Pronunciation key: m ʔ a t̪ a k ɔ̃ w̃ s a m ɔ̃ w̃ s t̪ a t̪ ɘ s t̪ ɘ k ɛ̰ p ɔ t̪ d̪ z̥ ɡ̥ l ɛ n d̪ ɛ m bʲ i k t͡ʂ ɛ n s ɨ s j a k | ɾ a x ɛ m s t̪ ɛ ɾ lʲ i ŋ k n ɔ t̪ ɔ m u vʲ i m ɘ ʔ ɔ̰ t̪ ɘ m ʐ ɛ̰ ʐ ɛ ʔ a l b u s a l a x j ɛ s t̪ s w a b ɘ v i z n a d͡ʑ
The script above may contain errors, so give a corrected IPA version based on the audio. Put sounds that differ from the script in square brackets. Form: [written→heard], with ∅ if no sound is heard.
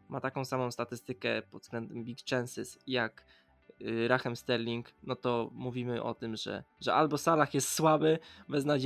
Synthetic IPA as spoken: m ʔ a t̪ a k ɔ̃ w̃ s a m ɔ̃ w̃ s t̪ a t̪ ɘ s t̪ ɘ k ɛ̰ p ɔ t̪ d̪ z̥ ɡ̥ l ɛ n d̪ ɛ m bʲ i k t͡ʂ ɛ n s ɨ s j a k | ɾ a x ɛ m s t̪ ɛ ɾ lʲ i ŋ k n ɔ t̪ ɔ m u vʲ i m ɘ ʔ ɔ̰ t̪ ɘ m ʐ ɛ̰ ʐ ɛ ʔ a l b [u→ɔ] s a l a x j ɛ s t̪ s w a b ɘ v [i→ɛ] z n a d͡ʑ